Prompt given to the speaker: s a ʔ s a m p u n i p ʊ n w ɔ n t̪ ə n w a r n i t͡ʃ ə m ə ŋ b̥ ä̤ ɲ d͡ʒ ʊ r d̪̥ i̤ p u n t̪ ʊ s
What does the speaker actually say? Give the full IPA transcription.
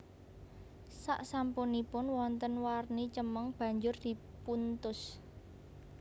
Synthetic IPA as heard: s a ʔ s a m p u n i p ʊ n w ɔ n t̪ ə n w a r n i t͡ʃ ə m ə ŋ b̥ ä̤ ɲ d͡ʒ ʊ r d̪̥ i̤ p u n t̪ ʊ s